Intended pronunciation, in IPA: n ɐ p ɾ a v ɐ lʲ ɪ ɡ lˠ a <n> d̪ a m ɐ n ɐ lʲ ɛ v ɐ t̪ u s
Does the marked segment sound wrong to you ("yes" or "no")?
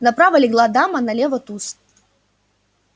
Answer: yes